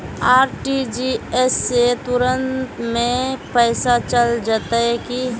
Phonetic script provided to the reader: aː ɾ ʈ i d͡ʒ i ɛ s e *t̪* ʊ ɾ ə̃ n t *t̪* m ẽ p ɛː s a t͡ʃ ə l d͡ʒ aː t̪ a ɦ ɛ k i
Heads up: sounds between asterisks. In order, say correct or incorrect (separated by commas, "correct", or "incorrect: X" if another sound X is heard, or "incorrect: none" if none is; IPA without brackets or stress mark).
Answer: correct, correct